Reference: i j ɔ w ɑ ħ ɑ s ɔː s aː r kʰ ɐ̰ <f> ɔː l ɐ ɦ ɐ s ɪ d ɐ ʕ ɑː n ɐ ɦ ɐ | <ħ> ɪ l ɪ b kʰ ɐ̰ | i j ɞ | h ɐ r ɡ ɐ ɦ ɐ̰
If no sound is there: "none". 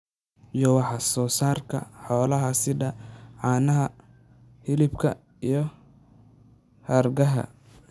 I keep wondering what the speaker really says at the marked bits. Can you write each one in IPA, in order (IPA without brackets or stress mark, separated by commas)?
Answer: ħ, h